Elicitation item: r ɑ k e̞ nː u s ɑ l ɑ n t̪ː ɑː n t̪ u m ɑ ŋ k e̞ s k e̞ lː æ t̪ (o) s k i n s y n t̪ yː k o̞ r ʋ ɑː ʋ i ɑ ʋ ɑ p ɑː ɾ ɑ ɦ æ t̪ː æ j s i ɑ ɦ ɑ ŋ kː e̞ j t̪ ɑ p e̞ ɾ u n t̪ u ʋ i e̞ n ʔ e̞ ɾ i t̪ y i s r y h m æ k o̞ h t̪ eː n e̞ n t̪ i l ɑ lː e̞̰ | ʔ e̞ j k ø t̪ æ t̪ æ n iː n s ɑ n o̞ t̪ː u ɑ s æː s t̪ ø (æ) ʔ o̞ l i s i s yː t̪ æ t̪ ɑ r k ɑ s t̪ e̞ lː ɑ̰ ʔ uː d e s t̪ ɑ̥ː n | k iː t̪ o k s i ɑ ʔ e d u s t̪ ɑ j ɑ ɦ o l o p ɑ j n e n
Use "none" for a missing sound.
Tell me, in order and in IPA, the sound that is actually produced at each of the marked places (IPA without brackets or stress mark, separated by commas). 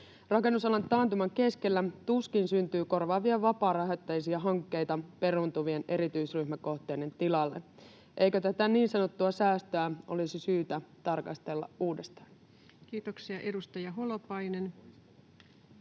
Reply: u, æ